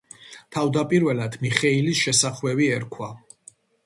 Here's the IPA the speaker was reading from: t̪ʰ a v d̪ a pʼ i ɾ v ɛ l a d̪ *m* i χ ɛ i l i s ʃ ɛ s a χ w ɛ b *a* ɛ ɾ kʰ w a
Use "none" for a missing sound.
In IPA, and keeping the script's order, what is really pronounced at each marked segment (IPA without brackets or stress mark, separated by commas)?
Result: m, i